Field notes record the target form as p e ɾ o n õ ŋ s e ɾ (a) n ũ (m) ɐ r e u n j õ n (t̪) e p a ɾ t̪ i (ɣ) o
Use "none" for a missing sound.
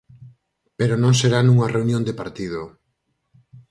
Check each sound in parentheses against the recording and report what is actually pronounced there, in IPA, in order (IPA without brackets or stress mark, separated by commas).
a, ŋ, d̪, ð